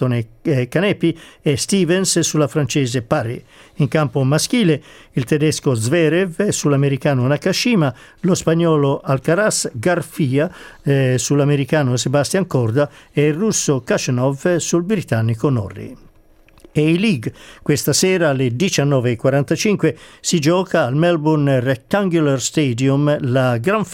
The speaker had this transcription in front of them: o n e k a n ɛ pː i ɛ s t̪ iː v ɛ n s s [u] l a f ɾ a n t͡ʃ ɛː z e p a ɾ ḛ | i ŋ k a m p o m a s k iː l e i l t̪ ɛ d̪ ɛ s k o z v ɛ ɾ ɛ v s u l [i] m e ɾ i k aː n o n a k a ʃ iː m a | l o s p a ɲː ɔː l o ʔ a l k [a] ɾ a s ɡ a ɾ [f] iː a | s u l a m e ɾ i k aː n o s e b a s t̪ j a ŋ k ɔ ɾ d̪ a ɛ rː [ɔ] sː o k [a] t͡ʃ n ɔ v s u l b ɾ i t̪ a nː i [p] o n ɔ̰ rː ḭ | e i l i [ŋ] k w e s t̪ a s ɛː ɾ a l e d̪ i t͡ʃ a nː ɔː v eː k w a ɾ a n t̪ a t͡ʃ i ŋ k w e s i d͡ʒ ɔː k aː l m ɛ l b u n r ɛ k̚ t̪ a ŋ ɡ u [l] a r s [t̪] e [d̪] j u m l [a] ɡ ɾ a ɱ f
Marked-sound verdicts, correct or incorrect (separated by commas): correct, incorrect, correct, correct, incorrect, correct, incorrect, incorrect, correct, correct, correct, correct